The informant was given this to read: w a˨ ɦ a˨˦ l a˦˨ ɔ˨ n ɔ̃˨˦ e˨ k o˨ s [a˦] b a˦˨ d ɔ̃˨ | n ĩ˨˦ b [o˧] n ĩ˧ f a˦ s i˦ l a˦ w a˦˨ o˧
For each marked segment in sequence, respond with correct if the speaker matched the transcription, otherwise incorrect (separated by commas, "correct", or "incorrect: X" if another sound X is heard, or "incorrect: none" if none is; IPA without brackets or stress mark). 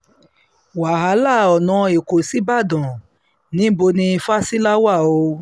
incorrect: i˦, correct